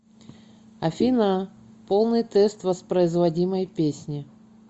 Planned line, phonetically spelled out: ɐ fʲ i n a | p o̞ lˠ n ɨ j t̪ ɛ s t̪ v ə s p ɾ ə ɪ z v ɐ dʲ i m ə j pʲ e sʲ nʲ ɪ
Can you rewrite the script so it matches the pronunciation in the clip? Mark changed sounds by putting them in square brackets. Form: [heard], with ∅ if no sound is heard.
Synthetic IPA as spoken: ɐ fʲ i n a | p o̞ lˠ n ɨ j t̪ ɛ s t̪ v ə s p ɾ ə ɪ z v ɐ dʲ i m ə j pʲ e sʲ nʲ ɪ

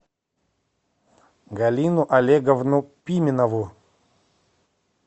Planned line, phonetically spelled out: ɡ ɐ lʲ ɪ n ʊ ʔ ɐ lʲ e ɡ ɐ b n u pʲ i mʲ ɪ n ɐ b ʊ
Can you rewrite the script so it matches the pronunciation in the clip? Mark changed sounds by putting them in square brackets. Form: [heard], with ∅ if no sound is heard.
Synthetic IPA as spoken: ɡ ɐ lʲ [i] n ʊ ʔ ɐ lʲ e ɡ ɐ [v] n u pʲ i mʲ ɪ n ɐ [v] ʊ

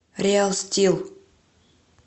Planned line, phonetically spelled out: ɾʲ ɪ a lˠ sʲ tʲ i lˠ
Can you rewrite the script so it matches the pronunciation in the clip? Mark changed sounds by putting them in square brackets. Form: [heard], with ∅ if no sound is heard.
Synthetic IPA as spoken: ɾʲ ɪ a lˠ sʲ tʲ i lˠ

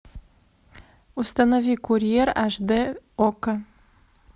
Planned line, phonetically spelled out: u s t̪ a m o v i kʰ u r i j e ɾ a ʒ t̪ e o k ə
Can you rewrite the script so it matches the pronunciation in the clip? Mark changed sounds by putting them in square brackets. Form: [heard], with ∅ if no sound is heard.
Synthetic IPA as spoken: u s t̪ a [n] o v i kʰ u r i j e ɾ a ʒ [d̪] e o k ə

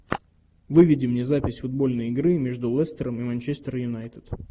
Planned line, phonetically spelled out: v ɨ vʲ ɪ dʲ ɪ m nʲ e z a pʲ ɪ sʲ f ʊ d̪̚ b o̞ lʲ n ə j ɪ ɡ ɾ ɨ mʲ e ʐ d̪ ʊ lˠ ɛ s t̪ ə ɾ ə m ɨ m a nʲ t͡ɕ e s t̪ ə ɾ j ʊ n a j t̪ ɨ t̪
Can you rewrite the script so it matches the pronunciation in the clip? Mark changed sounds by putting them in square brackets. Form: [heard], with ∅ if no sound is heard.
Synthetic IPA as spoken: v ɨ vʲ ɪ dʲ ɪ m nʲ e z a pʲ ɪ sʲ f ʊ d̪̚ b o̞ lʲ n ə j ɪ ɡ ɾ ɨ mʲ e ʐ d̪ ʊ lˠ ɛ s t̪ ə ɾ ə m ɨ m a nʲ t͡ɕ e s t̪ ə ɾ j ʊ n a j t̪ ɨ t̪

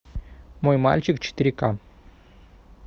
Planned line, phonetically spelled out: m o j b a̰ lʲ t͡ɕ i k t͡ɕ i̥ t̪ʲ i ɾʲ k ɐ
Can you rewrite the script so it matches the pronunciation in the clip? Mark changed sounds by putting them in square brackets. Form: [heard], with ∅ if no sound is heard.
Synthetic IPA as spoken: m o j [m] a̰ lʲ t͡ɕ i k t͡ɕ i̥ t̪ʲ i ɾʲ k [a]

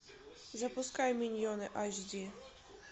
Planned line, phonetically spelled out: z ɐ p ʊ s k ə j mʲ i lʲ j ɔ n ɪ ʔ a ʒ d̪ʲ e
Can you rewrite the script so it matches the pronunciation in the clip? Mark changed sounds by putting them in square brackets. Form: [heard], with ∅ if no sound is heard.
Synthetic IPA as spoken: z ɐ p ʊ s k [a] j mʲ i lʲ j ɔ n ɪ ʔ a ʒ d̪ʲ [i]

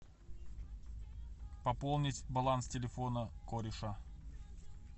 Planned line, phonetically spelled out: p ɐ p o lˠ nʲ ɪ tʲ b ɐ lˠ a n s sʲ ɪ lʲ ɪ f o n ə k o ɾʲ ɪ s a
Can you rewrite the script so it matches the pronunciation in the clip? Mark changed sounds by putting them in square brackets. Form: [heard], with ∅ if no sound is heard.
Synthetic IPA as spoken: p ɐ p o lˠ nʲ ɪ tʲ b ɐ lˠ a n s [tʲ] ɪ lʲ ɪ f o n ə k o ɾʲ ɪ [ʂ] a

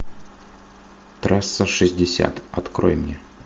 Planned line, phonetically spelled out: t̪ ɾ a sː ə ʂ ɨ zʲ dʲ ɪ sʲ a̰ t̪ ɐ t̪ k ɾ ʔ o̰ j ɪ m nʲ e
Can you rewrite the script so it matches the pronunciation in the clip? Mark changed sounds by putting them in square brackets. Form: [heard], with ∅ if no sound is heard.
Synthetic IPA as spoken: t̪ ɾ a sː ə ʂ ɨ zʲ dʲ ɪ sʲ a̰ t̪ ɐ t̪ k ɾ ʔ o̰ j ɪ m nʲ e

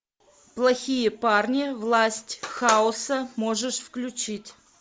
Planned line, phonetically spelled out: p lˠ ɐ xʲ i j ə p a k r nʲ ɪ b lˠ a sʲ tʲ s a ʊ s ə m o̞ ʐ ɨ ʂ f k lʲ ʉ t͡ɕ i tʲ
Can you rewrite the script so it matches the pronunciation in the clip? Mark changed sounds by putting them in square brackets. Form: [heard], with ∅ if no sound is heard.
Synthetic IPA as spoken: p lˠ ɐ xʲ i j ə p a [∅] r nʲ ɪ [v] lˠ a sʲ tʲ [x] a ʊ s ə m o̞ ʐ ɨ ʂ f k lʲ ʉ t͡ɕ i tʲ

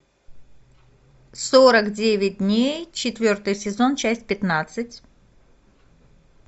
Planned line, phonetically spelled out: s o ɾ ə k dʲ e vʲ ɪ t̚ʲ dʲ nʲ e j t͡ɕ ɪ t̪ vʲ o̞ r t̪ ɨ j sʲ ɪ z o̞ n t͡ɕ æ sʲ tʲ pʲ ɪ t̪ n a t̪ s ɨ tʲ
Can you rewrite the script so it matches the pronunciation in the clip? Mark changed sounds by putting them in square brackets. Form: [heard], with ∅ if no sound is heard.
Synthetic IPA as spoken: s o ɾ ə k dʲ e vʲ ɪ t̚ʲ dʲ nʲ e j t͡ɕ ɪ t̪ vʲ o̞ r t̪ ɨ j sʲ ɪ z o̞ n t͡ɕ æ sʲ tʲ pʲ ɪ t̪ n a t̪ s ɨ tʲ

